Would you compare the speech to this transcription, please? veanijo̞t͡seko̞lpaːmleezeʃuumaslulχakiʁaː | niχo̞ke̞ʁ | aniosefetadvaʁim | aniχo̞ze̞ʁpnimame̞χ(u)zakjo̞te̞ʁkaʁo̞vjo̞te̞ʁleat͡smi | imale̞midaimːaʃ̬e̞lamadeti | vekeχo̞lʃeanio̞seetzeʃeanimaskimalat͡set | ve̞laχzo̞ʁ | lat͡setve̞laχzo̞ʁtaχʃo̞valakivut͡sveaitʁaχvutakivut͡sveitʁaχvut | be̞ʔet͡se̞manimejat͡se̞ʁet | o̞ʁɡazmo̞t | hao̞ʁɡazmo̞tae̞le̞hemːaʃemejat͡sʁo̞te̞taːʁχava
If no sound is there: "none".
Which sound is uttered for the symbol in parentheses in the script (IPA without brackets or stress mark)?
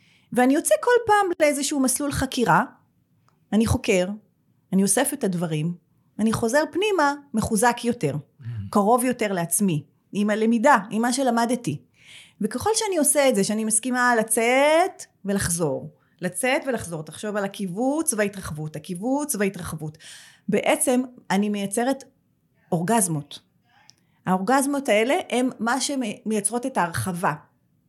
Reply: u